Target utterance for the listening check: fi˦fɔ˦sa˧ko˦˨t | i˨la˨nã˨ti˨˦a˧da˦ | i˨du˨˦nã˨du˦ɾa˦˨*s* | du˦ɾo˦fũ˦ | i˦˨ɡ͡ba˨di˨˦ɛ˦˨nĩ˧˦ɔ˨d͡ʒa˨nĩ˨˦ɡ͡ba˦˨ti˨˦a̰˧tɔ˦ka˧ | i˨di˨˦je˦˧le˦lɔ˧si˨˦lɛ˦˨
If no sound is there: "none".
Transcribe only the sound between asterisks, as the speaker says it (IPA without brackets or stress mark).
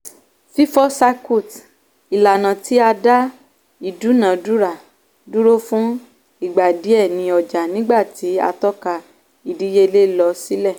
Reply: none